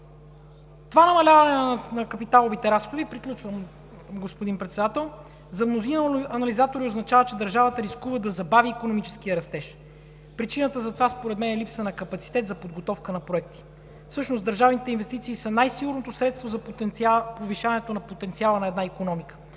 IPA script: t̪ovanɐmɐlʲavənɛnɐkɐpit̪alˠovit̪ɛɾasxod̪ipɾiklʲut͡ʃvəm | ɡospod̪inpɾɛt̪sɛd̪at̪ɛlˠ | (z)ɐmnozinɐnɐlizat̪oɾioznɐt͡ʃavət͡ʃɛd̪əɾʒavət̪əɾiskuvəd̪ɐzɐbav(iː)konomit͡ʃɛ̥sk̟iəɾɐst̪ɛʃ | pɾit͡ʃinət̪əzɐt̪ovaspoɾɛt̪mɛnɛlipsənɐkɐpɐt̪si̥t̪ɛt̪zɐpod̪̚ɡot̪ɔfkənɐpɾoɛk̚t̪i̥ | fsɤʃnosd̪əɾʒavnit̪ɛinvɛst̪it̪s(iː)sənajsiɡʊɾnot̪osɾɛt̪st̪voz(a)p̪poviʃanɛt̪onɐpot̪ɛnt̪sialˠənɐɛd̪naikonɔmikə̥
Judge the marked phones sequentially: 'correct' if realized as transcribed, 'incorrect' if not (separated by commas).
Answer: correct, correct, correct, incorrect